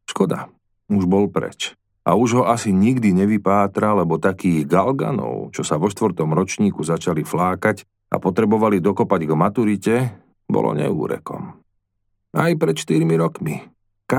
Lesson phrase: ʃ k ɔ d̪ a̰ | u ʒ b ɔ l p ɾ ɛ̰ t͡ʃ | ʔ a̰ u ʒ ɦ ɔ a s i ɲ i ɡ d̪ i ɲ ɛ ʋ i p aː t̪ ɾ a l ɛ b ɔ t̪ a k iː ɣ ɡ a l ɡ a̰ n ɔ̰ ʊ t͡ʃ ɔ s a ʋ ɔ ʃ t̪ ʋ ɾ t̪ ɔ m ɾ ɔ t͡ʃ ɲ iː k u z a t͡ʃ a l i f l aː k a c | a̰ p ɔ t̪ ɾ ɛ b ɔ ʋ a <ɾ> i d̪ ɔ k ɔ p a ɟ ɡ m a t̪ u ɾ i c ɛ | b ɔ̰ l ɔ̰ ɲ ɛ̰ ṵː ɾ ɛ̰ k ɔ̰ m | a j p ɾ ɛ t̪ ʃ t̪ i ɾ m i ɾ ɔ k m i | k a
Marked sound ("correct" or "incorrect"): incorrect